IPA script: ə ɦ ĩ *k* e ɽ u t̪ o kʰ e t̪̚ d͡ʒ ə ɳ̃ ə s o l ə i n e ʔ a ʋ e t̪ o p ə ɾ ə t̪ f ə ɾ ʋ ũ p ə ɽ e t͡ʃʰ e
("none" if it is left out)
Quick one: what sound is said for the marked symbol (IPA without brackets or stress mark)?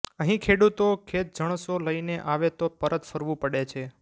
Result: kʰ